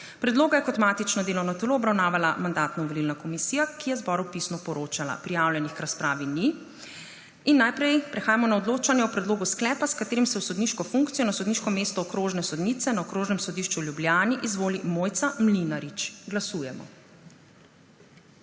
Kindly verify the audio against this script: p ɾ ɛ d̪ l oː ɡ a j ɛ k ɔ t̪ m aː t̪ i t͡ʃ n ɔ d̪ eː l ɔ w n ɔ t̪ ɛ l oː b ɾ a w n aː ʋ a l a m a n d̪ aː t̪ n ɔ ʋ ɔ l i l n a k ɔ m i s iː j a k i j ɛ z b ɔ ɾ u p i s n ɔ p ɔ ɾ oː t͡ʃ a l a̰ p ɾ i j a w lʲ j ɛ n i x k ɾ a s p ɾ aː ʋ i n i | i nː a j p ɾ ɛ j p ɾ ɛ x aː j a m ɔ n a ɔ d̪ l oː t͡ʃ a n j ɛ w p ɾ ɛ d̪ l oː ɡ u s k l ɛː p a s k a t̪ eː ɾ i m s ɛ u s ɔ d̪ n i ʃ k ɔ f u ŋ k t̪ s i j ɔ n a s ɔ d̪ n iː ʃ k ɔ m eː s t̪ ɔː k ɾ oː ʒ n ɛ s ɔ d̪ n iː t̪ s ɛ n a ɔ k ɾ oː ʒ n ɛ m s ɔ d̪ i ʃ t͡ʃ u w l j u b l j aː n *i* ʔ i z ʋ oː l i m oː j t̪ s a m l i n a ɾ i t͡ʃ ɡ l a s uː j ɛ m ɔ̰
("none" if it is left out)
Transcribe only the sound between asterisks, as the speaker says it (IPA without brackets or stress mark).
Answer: i